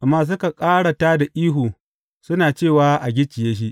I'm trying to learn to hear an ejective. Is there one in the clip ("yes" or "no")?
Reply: yes